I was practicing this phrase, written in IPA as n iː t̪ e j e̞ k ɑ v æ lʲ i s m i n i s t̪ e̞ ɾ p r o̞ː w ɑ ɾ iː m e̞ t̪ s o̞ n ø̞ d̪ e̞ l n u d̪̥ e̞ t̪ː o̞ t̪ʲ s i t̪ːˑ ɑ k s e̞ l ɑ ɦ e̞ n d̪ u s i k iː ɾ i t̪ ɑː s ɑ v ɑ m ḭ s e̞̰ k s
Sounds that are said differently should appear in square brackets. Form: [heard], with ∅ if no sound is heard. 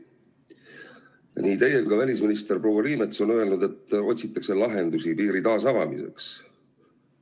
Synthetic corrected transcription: n iː t̪ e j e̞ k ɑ v æ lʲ i s m i n i s t̪ e̞ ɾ p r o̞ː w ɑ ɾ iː m e̞ t̪ s o̞ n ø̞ [∅] e̞ l n u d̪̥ e̞ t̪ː o̞ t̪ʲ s i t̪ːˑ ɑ k s e̞ l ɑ ɦ e̞ n d̪ u s i [p] iː ɾ i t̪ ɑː s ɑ v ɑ m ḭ s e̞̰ k s